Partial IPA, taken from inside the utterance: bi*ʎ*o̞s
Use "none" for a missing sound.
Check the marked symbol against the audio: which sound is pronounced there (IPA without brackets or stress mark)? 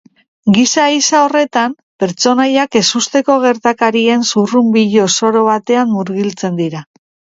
ʎ